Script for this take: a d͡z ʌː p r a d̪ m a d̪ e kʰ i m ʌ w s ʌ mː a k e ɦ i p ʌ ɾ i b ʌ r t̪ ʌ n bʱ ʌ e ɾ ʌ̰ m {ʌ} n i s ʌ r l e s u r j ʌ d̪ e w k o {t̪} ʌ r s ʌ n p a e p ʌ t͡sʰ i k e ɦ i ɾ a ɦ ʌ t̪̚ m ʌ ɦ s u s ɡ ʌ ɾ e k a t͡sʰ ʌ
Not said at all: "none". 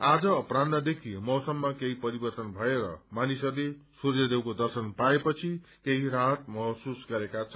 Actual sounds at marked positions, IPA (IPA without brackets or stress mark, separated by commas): a, d̪